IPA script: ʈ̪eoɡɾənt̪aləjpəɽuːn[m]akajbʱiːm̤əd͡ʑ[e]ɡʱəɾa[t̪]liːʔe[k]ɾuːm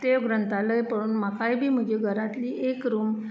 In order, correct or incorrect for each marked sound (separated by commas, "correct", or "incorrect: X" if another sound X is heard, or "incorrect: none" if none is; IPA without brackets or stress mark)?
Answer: correct, correct, correct, correct